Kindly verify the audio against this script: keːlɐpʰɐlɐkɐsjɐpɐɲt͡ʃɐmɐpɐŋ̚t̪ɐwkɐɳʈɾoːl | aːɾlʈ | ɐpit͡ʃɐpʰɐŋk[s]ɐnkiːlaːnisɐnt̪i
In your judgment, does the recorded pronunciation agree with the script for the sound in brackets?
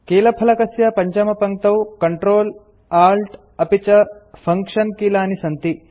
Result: no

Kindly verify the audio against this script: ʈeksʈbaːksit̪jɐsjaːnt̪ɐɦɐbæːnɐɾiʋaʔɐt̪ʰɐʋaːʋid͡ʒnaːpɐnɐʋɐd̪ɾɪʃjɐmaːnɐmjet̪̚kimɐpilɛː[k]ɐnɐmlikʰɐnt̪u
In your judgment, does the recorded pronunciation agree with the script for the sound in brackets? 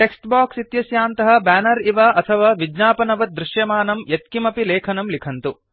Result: no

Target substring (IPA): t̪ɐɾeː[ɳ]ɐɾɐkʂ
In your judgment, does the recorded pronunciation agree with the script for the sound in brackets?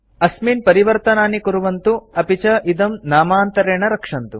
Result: yes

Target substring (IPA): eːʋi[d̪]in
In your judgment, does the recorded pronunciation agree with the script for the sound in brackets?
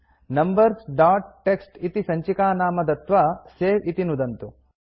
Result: no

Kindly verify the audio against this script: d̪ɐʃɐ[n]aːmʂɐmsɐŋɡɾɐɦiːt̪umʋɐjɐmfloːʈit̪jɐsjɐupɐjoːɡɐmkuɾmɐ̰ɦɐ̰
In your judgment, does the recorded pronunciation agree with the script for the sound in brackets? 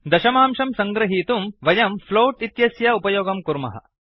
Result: no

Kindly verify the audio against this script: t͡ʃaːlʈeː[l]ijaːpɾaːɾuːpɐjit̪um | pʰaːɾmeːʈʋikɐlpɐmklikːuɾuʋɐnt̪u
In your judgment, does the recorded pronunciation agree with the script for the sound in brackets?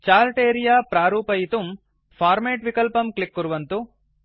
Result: no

